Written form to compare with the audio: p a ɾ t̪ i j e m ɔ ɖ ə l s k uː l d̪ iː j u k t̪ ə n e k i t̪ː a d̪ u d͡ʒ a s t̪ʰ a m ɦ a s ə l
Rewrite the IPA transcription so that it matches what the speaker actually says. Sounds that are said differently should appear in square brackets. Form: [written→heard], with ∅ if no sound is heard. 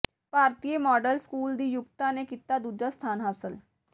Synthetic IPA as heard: p a ɾ t̪ i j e m ɔ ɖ ə l s k uː l d̪ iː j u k t̪ [ə→a] n e k i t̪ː a d̪ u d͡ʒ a s t̪ʰ a [m→n] ɦ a s ə l